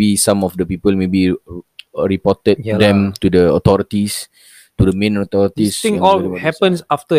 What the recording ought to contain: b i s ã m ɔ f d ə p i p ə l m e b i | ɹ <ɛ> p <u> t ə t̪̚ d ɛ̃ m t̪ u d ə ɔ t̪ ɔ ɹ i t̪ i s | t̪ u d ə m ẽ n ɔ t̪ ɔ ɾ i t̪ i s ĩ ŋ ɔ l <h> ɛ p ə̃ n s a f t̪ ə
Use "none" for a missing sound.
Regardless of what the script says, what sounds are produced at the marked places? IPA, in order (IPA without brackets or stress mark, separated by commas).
i, ɔ, h